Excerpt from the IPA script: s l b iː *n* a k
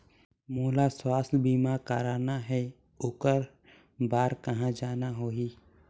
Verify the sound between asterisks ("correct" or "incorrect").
incorrect